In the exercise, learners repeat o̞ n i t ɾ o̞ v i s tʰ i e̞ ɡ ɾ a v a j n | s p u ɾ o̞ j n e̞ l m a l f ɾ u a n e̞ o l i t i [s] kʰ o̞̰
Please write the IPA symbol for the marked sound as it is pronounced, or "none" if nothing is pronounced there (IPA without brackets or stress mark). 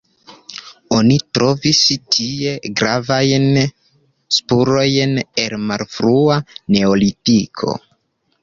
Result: none